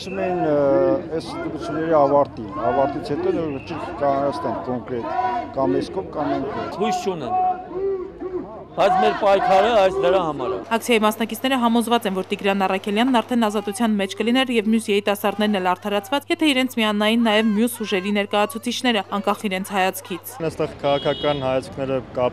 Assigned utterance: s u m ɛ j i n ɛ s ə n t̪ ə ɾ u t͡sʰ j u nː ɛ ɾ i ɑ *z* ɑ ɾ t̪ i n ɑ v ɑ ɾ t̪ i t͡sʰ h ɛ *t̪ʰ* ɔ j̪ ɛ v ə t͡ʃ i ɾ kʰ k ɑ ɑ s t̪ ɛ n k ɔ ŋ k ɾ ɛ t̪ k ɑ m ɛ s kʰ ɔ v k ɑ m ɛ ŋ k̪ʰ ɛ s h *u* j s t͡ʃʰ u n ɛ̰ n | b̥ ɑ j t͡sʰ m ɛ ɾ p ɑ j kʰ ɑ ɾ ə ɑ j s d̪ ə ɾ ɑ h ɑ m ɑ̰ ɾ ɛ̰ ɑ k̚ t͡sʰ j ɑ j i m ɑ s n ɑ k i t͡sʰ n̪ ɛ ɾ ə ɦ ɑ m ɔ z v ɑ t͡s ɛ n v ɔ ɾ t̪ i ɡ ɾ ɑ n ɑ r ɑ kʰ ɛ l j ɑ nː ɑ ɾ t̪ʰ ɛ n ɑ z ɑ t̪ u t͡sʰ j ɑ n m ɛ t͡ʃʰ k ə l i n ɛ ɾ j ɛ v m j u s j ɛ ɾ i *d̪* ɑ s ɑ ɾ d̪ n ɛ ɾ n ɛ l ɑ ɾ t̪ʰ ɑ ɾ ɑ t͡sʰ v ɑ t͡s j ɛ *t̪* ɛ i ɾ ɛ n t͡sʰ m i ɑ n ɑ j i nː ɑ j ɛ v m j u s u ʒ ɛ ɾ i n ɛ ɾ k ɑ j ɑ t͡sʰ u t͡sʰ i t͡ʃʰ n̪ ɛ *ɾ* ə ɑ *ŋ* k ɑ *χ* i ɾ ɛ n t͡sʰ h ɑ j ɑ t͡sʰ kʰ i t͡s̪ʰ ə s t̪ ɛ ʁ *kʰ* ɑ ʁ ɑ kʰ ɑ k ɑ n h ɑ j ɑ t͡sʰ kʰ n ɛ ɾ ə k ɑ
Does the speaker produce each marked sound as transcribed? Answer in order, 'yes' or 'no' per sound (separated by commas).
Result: no, no, yes, no, no, yes, yes, yes, yes